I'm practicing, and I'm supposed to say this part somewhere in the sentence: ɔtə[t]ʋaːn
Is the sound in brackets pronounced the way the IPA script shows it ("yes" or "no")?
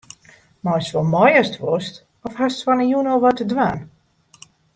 no